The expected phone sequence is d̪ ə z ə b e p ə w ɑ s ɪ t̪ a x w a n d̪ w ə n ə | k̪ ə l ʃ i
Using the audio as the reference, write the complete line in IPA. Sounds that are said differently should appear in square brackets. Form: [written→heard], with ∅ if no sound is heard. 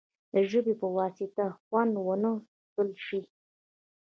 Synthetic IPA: d̪ ə [z→ʒ] ə b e p ə w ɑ s ɪ t̪ a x w a n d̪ w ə n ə | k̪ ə l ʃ i